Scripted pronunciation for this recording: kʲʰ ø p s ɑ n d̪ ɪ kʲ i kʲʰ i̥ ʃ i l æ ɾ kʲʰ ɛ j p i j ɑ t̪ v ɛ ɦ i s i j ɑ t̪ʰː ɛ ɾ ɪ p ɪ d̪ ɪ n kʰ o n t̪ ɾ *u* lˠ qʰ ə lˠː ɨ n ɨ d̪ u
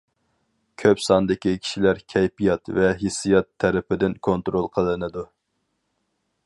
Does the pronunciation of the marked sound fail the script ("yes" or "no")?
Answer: yes